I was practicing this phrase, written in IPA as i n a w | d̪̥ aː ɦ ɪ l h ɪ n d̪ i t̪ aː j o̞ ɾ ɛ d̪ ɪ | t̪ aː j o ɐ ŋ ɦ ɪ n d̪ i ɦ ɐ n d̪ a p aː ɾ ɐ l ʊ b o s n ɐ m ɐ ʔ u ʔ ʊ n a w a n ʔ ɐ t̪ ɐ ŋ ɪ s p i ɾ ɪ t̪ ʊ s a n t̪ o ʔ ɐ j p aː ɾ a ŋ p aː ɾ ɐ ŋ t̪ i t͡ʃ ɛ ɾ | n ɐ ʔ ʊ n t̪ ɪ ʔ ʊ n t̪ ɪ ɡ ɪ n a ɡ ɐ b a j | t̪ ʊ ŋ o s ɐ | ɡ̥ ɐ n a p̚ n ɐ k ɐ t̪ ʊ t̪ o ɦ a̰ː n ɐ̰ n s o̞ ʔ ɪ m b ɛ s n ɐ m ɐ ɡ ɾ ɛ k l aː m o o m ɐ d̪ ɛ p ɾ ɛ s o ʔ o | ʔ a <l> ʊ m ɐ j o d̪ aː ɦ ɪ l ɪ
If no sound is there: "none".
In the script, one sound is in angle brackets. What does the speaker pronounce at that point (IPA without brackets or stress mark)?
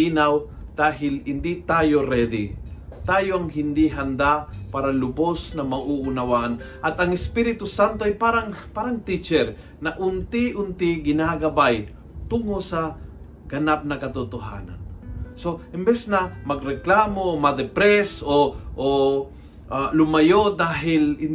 l